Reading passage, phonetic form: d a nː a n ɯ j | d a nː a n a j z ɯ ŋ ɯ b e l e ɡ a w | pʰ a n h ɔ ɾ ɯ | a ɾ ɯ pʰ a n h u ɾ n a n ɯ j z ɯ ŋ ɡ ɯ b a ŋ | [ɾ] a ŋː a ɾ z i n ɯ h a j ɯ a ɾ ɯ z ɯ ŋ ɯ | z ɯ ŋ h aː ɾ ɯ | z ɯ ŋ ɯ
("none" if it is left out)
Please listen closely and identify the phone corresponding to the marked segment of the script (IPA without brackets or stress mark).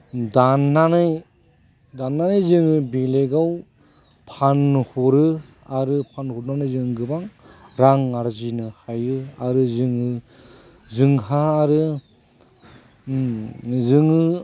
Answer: ɾ